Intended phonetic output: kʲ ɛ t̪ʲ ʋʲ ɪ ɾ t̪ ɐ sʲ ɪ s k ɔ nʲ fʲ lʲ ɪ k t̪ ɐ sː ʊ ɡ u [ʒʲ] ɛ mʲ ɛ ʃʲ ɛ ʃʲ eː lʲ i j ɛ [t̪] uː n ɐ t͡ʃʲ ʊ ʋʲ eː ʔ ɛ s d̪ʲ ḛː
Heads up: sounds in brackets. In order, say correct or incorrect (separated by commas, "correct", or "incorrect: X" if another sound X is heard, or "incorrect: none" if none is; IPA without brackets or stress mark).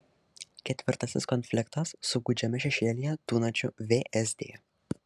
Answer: incorrect: d͡ʒʲ, correct